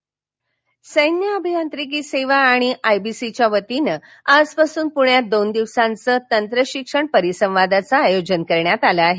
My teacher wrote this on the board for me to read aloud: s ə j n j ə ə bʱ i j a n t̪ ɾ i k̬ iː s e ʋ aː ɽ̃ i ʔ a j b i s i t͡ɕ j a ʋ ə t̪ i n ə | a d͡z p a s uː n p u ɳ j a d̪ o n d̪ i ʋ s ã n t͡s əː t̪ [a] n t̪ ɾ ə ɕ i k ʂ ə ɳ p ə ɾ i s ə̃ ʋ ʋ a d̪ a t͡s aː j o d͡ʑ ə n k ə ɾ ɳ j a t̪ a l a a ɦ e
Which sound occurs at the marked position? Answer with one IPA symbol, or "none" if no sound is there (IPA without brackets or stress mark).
ə